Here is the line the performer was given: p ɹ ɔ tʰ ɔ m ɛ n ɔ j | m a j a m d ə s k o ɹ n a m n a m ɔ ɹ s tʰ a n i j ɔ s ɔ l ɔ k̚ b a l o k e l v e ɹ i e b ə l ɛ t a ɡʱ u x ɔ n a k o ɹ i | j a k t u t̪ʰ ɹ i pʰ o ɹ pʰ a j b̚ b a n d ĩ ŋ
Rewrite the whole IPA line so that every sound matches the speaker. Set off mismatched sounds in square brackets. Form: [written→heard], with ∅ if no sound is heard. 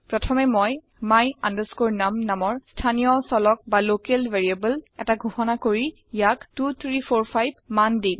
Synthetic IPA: p ɹ ɔ tʰ ɔ m ɛ [n→m] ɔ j | m a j a [m→n] d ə s k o ɹ n a m n a m ɔ ɹ s tʰ a n i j ɔ s ɔ l ɔ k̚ b a l o k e l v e ɹ i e b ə l ɛ t a ɡʱ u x ɔ n a k o ɹ i | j a k t u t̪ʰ ɹ i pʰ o ɹ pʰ a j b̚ [b→m] a n d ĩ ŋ